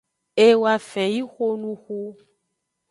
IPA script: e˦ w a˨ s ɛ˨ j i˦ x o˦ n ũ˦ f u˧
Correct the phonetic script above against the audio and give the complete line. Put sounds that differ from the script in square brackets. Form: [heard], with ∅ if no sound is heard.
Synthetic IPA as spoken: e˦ w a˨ [f] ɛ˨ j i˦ x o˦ n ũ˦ [x] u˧